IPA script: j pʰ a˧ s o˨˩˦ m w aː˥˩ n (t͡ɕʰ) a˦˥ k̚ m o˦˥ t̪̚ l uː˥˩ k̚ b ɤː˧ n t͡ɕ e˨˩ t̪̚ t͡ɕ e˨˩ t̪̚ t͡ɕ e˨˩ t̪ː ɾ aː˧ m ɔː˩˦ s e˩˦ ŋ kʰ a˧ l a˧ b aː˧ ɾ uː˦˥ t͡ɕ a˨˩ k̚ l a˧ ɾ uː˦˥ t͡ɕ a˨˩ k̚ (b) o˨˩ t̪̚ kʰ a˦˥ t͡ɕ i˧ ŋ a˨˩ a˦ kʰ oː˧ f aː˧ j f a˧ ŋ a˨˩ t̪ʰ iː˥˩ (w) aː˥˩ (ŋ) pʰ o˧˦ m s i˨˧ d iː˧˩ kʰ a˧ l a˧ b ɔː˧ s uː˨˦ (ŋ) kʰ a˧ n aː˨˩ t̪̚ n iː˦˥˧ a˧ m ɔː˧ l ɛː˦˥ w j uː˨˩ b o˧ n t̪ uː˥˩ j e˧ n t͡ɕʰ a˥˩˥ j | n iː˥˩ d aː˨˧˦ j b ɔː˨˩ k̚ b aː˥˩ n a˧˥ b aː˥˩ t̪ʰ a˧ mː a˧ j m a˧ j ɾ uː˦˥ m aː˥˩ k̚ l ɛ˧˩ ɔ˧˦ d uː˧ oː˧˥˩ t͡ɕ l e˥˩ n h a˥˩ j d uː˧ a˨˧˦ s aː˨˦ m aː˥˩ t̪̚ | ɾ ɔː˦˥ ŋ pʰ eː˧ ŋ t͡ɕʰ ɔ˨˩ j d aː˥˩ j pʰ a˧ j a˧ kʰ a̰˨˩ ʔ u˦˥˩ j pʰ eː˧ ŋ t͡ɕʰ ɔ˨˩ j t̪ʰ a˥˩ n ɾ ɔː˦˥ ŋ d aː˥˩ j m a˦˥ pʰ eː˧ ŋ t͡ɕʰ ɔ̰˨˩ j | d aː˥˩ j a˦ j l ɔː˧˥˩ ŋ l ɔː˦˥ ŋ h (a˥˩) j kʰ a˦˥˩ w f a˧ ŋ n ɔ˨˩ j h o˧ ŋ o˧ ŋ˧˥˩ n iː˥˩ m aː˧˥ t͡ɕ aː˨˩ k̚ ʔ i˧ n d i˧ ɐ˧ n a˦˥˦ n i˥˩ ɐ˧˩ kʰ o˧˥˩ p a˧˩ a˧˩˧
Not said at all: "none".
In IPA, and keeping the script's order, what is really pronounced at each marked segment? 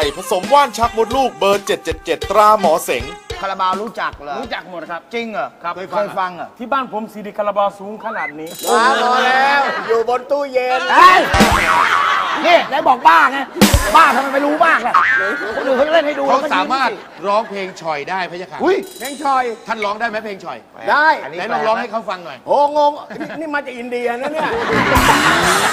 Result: t͡ɕʰ, m, b, n, ŋ, a˥˩

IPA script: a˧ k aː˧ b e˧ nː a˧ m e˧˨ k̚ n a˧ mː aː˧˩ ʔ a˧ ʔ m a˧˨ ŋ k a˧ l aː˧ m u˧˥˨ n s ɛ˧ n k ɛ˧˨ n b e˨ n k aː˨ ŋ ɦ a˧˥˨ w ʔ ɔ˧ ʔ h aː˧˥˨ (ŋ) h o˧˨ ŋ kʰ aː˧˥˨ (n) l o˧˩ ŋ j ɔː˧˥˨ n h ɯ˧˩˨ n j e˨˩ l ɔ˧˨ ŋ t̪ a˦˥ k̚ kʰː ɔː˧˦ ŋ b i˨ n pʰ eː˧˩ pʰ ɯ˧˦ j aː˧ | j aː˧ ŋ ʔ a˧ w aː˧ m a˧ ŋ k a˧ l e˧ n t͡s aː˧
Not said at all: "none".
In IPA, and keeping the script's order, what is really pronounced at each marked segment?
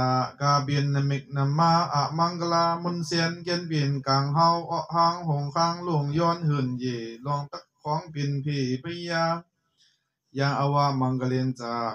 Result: ŋ, ŋ

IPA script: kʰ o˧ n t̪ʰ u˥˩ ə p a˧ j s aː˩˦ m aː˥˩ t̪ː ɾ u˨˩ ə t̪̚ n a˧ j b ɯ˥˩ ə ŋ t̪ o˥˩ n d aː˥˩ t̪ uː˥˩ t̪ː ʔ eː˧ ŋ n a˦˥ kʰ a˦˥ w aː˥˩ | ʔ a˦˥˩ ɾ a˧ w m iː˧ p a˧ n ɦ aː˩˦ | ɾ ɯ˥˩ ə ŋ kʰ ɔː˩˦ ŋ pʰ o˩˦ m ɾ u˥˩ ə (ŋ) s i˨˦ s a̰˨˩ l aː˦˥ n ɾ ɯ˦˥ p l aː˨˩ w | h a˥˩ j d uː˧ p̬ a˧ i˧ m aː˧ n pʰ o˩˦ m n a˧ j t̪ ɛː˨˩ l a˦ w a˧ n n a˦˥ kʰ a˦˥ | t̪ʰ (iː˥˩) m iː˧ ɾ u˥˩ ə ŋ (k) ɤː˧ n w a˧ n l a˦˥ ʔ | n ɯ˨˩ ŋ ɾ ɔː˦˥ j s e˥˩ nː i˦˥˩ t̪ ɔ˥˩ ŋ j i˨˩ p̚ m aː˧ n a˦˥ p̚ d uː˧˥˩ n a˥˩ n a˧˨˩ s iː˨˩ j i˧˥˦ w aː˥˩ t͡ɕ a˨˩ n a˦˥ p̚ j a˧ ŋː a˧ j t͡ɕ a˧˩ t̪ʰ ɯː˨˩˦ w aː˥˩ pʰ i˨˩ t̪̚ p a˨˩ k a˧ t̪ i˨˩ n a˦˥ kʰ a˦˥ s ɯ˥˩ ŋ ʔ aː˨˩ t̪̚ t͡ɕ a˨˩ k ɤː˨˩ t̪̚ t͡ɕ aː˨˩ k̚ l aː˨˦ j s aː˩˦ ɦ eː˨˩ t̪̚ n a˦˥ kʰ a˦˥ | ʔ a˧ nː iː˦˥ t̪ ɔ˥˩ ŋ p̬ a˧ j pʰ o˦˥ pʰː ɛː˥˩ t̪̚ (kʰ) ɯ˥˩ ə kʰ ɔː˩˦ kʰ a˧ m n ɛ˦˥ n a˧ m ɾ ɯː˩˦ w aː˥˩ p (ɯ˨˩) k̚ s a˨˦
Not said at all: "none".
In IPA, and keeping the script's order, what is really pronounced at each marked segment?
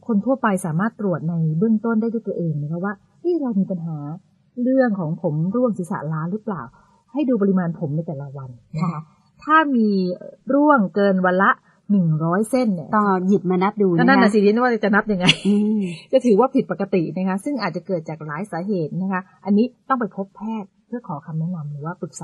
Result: ŋ, aː˥˩, k, pʰ, ɯ˨˩

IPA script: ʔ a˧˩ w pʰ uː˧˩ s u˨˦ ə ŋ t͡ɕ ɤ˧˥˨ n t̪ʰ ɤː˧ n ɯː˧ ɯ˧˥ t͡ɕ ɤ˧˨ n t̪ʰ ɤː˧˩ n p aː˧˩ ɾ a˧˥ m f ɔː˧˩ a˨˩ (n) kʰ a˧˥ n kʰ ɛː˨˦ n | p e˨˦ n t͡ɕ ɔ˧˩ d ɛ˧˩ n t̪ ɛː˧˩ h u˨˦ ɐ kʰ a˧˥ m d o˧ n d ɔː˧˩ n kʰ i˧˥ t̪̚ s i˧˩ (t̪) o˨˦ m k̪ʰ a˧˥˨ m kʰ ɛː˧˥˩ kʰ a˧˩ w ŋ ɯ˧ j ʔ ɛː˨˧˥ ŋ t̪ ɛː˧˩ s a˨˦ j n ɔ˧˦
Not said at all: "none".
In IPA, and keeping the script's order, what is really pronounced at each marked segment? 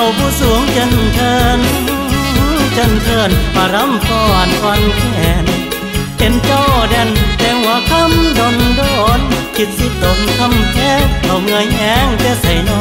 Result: n, t̪

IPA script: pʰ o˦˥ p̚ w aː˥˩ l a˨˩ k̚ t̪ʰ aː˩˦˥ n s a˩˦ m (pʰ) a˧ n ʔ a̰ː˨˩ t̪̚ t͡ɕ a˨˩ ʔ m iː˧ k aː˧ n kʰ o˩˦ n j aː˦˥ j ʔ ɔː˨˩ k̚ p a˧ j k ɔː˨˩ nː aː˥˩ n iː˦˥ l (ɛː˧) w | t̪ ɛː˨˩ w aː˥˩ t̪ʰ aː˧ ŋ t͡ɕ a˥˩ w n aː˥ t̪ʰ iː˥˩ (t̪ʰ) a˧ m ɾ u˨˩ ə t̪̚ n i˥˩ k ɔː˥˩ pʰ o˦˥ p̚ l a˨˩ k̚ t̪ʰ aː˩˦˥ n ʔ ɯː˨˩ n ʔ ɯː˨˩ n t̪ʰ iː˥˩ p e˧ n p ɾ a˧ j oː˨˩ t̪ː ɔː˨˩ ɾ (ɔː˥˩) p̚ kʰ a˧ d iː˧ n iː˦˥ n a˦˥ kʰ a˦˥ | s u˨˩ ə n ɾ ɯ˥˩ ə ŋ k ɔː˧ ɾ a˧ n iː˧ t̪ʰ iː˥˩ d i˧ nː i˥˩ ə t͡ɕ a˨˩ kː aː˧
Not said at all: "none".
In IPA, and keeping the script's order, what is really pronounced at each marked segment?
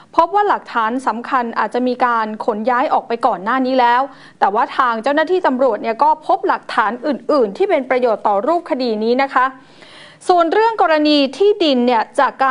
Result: kʰ, ɛː˦˥, t̪, uː˥˩

